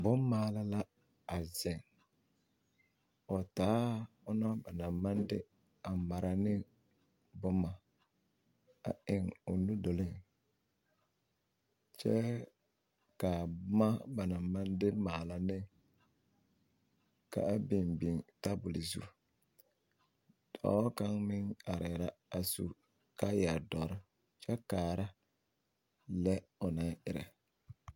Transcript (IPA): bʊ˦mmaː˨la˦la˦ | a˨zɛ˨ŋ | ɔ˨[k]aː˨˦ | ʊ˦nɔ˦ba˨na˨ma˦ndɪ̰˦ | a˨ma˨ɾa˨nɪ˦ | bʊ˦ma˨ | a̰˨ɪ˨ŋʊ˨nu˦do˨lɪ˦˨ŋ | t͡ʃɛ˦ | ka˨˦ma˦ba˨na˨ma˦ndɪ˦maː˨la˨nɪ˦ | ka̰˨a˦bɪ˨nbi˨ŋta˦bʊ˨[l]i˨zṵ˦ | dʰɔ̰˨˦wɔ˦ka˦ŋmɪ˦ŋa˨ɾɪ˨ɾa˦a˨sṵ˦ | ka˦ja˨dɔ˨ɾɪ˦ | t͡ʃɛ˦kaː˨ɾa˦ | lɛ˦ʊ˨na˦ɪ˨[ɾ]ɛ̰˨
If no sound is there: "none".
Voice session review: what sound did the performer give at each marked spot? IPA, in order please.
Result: t, l, ɾ

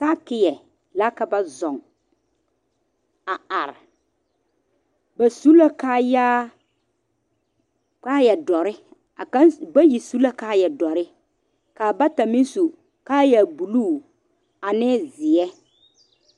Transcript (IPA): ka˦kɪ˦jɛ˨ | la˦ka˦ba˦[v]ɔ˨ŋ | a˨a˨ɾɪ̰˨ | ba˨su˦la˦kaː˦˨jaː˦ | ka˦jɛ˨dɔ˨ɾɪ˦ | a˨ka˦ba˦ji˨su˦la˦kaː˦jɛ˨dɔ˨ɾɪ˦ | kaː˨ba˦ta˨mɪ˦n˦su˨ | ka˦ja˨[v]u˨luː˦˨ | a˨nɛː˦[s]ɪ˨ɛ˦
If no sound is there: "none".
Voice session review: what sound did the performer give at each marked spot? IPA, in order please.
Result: z, b, z

